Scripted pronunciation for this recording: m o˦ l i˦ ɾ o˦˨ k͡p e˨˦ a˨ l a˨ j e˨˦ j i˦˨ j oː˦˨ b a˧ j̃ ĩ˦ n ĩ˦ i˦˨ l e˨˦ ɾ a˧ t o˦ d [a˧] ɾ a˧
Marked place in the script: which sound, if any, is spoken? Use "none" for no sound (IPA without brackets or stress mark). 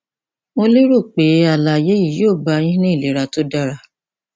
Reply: a˧